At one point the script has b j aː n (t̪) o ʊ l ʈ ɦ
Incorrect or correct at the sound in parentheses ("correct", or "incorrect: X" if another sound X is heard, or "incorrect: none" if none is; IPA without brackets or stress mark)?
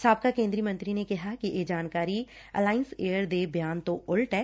correct